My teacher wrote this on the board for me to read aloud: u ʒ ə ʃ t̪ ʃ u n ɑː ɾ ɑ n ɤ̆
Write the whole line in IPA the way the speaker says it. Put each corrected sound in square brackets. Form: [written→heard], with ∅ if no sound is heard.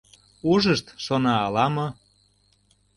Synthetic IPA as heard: u ʒ ə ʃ t̪ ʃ [u→o] n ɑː [ɾ→l] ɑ [n→m] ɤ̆